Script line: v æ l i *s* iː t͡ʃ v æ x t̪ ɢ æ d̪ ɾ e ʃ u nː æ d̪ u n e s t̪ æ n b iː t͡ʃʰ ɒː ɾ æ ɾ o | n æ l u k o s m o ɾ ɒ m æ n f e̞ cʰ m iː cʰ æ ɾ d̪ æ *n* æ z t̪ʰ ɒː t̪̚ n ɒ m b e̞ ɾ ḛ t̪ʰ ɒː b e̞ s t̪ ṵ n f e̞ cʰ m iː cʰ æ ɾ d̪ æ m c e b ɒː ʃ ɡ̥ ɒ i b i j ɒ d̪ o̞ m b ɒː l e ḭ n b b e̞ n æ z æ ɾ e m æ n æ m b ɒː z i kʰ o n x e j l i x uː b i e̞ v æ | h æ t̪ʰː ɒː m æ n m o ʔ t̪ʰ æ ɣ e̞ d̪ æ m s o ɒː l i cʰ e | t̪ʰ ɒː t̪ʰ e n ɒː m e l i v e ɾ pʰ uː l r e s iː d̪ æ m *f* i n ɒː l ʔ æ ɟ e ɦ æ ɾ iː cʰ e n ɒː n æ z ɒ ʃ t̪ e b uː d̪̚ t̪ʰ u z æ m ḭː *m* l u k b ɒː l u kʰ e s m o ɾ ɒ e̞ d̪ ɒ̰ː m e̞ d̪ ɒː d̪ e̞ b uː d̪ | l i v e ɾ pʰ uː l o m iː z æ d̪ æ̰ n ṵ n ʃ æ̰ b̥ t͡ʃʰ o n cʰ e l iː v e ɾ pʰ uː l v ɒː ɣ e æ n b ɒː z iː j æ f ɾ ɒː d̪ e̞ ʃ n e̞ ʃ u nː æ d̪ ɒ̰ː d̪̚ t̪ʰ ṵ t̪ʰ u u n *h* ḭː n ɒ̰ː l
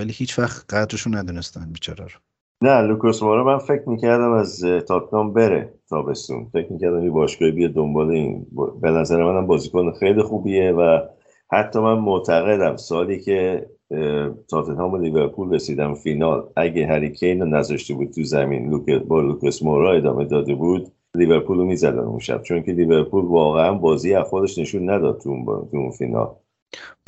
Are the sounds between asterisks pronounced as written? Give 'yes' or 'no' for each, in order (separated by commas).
no, no, yes, no, no